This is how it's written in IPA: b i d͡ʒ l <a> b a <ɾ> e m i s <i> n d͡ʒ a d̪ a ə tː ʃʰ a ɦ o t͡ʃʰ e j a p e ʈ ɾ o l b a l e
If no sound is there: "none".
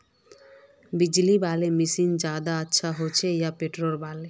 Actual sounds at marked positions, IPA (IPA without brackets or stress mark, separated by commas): i, l, i